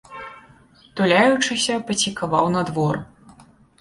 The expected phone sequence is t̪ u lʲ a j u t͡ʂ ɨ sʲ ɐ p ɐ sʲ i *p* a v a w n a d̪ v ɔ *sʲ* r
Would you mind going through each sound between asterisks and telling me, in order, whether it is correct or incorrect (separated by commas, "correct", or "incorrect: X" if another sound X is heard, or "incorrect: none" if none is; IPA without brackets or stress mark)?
incorrect: k, incorrect: none